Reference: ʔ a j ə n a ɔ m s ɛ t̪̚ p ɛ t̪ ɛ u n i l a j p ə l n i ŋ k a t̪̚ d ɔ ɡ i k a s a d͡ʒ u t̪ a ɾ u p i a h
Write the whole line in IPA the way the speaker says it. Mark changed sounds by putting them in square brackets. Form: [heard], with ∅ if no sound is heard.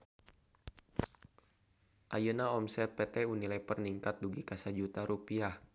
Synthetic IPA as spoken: ʔ a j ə n a ɔ m s ɛ t̪̚ p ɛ t̪ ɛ u n i l a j p ə [r] n i ŋ k a t̪̚ d [u] ɡ i k a s a d͡ʒ u t̪ a ɾ u p i a h